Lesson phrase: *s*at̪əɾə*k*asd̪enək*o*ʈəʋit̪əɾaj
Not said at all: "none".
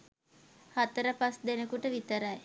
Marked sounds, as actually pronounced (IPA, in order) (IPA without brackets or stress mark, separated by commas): h, p, u